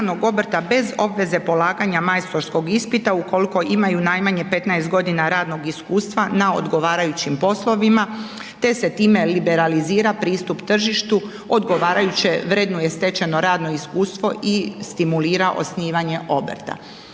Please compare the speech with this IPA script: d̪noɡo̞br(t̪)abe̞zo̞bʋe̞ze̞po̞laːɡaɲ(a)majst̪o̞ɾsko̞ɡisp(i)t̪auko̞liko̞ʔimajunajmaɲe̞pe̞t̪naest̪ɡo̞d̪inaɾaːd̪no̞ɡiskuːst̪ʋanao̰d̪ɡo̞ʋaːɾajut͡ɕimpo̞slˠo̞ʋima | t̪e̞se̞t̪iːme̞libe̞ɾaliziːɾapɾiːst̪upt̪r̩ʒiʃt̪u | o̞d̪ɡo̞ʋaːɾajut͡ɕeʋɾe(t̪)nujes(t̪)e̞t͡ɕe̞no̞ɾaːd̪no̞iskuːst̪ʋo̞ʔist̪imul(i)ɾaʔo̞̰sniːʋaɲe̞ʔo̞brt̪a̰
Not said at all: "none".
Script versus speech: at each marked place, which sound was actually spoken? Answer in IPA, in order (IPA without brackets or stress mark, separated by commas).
t̪, a, i, d̪, t̪, iː